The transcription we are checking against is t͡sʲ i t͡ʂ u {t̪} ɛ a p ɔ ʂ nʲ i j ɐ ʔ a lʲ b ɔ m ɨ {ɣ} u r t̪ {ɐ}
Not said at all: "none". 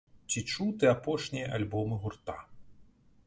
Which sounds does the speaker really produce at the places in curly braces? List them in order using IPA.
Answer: t̪, ɣ, a

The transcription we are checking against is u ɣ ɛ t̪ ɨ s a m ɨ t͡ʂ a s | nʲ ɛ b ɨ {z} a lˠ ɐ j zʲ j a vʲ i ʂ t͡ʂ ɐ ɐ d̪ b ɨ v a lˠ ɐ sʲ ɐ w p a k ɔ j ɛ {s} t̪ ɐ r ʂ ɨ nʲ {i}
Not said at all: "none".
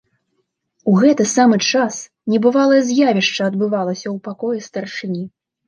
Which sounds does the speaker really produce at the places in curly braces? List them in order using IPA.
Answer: v, s, i

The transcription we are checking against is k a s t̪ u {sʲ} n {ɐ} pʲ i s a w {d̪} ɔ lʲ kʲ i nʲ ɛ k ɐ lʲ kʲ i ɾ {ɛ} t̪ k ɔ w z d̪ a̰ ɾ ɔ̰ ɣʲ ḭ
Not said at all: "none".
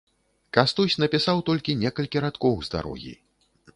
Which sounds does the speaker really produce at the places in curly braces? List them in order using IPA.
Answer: sʲ, ɐ, t̪, a

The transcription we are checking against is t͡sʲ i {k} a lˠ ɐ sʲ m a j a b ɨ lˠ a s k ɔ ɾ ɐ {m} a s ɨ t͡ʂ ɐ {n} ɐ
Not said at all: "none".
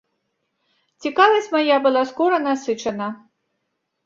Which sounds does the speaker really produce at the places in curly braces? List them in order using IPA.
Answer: k, n, n

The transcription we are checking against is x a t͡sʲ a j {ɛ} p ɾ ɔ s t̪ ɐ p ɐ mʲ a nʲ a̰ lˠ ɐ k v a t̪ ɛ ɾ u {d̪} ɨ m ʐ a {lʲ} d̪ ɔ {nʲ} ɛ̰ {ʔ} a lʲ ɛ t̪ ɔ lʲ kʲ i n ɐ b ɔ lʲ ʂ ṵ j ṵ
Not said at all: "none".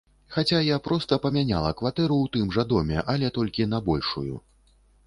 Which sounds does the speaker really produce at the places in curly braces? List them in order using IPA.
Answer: a, t̪, none, mʲ, ʔ

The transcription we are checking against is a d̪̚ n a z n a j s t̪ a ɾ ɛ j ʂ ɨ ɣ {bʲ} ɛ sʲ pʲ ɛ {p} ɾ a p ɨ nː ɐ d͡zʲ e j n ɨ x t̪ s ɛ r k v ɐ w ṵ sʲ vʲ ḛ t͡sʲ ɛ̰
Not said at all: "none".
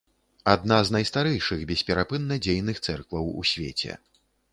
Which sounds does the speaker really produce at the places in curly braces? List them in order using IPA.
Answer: bʲ, none

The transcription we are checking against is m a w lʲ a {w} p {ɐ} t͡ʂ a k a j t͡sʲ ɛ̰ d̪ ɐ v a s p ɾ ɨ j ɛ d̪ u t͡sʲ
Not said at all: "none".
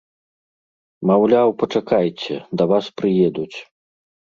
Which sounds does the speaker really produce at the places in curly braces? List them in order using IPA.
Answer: w, ɐ

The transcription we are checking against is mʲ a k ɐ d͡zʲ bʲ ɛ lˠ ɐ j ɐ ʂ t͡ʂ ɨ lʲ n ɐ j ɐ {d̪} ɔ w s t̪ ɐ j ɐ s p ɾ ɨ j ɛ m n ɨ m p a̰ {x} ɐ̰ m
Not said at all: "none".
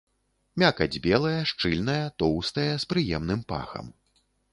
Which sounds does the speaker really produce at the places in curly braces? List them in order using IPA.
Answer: t̪, x

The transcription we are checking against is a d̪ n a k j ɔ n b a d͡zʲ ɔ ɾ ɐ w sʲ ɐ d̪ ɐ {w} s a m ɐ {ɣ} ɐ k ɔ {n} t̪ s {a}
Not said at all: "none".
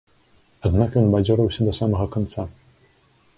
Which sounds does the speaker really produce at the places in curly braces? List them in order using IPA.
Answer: none, ɣ, n, a

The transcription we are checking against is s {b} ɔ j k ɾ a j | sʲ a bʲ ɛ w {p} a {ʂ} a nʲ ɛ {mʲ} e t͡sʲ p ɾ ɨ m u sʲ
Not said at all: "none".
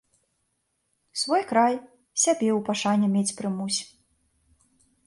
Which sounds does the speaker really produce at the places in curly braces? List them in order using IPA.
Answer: v, p, ʂ, mʲ

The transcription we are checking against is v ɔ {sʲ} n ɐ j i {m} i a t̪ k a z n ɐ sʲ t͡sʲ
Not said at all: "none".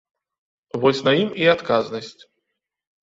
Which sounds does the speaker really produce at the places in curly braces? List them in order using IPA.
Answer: sʲ, m

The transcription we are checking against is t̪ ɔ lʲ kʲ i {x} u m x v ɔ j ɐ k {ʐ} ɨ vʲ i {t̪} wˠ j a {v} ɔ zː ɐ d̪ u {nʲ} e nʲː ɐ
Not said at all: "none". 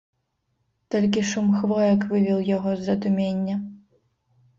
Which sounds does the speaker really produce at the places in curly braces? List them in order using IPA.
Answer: ʂ, v, none, ɣ, mʲ

